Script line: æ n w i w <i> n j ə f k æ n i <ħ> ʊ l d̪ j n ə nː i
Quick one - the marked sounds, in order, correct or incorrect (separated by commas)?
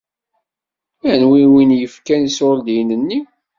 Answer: correct, incorrect